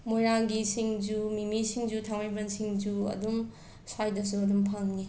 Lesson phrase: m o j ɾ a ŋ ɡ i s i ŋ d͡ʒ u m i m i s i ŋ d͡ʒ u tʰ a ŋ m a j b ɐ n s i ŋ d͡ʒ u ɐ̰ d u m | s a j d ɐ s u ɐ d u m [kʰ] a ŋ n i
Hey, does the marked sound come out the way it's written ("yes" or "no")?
no